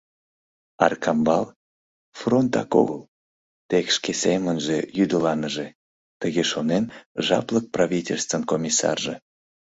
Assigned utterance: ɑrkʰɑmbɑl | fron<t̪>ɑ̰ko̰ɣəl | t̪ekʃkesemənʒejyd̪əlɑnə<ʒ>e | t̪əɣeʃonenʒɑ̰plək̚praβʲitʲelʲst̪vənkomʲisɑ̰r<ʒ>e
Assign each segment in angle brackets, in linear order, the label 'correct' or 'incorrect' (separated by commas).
correct, correct, correct